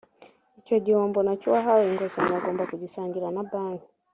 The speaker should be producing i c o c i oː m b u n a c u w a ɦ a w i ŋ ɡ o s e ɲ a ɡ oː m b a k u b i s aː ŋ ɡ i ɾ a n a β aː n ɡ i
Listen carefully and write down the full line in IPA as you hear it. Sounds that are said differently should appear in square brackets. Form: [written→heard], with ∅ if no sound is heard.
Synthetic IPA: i c o [c→ɟ] i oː m b [u→o] n a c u w a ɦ a w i ŋ ɡ o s [e→a] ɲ a ɡ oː m b a k u [b→ɟ] i s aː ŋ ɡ i ɾ a n a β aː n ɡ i